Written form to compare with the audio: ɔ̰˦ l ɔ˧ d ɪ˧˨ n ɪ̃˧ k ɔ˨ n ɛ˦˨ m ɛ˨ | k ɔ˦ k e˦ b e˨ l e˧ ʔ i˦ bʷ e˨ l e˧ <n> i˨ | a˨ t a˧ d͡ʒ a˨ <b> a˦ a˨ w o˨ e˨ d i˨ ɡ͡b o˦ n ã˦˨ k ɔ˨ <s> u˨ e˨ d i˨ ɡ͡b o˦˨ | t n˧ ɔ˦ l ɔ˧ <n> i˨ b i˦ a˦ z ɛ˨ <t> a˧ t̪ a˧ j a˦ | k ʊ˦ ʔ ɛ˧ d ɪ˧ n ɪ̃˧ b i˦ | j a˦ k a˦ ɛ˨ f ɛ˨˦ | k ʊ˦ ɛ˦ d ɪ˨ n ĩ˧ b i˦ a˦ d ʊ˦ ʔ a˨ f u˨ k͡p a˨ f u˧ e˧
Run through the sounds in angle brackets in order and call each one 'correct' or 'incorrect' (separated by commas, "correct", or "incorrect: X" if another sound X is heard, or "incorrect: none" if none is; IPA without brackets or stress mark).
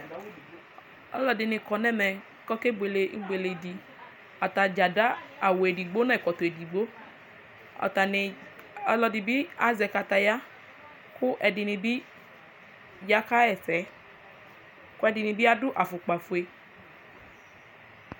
incorrect: d, incorrect: d, incorrect: t, incorrect: d, incorrect: k